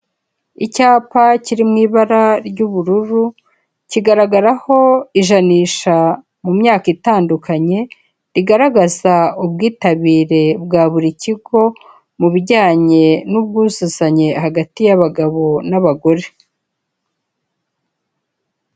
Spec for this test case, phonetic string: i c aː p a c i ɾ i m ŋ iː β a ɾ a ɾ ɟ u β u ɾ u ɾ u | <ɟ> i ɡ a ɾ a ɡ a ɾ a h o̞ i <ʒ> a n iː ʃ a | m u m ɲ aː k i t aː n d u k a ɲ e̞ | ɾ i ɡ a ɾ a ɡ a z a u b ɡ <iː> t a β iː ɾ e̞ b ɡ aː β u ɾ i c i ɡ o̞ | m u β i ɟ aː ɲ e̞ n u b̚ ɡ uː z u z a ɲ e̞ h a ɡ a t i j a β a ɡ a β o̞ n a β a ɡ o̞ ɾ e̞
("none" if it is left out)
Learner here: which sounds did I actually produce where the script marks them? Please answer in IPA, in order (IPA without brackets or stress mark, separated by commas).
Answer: c, ʒ, iː